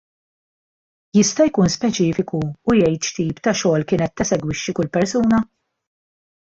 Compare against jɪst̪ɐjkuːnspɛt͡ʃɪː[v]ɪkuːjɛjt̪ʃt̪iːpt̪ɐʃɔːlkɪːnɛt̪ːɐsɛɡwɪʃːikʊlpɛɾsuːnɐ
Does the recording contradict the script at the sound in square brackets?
yes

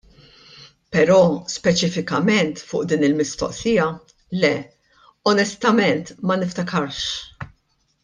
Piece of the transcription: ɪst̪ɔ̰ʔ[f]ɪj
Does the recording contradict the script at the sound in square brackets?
yes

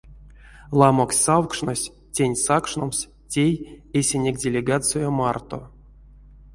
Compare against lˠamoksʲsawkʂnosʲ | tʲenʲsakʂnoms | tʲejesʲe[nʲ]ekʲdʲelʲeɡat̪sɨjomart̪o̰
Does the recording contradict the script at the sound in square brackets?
no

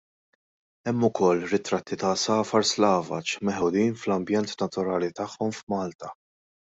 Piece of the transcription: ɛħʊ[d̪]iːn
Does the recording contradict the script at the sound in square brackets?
no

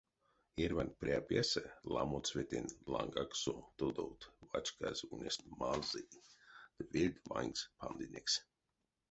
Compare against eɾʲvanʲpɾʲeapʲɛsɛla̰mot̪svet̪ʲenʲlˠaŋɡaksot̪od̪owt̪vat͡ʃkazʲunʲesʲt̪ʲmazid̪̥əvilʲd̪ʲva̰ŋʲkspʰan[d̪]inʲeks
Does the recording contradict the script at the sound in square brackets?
no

